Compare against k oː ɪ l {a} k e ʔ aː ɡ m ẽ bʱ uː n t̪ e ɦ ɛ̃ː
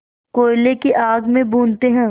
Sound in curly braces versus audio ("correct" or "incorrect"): incorrect